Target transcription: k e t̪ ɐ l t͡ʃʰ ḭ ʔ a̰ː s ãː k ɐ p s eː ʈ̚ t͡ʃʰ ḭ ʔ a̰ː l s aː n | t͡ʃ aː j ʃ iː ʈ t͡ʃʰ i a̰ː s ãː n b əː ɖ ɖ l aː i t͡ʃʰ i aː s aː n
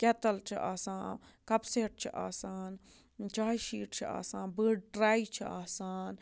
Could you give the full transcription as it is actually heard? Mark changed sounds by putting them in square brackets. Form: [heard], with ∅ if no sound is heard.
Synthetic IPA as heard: k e t̪ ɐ l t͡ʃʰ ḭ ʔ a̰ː s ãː k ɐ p s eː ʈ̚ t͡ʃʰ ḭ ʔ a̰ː [∅] s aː n | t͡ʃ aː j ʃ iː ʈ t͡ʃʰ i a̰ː s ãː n b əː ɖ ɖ [ɾ] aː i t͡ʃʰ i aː s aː n